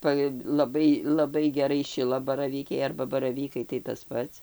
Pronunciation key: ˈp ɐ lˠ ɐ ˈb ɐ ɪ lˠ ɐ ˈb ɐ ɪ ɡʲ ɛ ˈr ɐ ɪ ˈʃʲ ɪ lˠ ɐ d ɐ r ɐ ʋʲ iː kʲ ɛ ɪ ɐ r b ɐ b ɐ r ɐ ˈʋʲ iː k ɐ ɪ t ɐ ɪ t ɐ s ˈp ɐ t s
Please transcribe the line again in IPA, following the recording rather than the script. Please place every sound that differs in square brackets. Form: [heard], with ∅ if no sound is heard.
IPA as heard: ˈp ɐ lˠ ɐ ˈb ɐ ɪ lˠ ɐ ˈb ɐ ɪ ɡʲ ɛ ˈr ɐ ɪ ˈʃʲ ɪ lˠ ɐ [b] ɐ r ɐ ʋʲ iː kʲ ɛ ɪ ɐ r b ɐ b ɐ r ɐ ˈʋʲ iː k ɐ ɪ t ɐ ɪ t ɐ s ˈp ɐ t s